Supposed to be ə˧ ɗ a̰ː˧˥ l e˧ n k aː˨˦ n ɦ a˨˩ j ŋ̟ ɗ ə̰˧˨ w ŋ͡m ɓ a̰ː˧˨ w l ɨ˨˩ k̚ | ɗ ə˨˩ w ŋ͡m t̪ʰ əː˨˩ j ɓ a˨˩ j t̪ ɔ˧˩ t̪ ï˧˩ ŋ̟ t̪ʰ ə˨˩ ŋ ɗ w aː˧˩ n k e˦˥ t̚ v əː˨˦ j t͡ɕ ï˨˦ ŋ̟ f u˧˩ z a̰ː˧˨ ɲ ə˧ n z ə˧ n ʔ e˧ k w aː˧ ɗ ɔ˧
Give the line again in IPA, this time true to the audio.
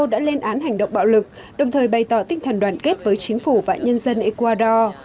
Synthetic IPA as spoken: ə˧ ɗ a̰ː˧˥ l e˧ n ʔ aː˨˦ n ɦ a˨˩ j ŋ̟ ɗ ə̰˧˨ w ŋ͡m ɓ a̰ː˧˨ w l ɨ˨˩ k̚ | ɗ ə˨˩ w ŋ͡m t̪ʰ əː˨˩ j ɓ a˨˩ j t̪ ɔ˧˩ t̪ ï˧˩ ŋ̟ t̪ʰ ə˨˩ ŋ ɗ w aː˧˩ n k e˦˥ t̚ v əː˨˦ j t͡ɕ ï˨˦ ŋ̟ f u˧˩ v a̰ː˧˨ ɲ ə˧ n z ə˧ n ʔ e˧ k w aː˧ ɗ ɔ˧